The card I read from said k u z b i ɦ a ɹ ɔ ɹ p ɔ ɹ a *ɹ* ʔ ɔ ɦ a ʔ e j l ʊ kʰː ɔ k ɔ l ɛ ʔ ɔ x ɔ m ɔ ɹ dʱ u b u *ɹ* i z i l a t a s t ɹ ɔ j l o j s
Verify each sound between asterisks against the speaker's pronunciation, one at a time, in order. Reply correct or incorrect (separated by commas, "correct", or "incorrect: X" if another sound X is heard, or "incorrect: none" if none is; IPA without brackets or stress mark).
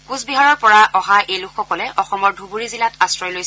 incorrect: none, correct